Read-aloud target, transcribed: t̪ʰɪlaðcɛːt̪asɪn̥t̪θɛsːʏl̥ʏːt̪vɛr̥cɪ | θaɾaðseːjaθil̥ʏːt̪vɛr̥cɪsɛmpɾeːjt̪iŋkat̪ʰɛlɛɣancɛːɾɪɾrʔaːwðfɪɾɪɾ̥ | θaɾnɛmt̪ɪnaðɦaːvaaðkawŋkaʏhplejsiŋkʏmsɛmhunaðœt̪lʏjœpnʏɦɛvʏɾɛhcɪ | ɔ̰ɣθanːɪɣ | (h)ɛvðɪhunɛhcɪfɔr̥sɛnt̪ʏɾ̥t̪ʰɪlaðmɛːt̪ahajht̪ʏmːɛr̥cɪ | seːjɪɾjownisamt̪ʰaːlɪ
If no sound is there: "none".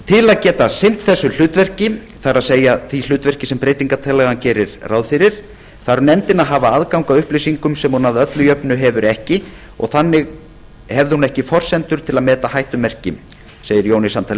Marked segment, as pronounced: h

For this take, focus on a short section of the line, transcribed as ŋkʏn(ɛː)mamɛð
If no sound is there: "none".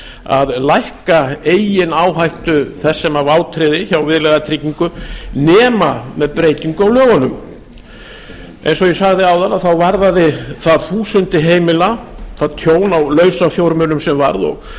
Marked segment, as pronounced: ɛː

